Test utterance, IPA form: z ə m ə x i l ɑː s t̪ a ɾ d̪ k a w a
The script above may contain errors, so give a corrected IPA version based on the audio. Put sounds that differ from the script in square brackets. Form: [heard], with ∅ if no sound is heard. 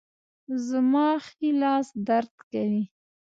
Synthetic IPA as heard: z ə m [ɑ] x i l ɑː s [d̪] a ɾ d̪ k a w [i]